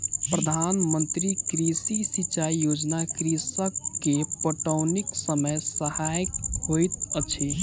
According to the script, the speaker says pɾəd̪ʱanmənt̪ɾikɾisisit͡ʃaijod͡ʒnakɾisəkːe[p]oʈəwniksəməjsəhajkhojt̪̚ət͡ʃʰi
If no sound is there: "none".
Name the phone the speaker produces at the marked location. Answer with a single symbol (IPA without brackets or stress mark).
p